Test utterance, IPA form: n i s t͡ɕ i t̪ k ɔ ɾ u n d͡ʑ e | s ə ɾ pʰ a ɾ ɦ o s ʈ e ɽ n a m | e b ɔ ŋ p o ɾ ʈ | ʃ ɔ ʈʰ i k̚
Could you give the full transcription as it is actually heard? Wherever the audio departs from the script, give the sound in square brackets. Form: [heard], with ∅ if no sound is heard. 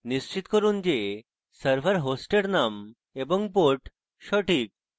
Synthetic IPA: n i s t͡ɕ i t̪ k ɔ ɾ u n d͡ʑ e | s ə ɾ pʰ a ɾ ɦ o s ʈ e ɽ n a m | e b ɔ ŋ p o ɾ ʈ | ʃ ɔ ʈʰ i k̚